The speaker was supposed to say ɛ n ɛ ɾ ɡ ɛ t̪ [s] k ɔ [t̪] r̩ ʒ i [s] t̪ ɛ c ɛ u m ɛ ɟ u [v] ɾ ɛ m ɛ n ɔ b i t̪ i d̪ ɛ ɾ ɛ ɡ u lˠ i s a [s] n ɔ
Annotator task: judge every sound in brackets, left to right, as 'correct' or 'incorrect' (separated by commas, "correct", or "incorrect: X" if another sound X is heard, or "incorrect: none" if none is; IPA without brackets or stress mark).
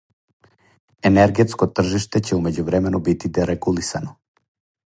correct, correct, incorrect: ʃ, correct, incorrect: none